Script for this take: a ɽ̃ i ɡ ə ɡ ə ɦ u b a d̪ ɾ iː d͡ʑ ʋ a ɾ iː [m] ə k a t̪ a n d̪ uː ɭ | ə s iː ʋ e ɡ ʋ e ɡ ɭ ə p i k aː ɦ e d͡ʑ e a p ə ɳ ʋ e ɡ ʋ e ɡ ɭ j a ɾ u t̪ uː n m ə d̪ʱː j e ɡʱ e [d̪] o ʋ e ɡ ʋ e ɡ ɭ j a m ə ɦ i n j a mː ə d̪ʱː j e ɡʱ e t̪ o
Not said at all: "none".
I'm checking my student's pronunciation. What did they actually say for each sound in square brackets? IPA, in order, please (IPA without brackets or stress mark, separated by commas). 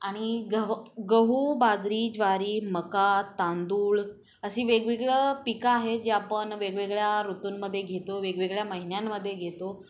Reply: m, t̪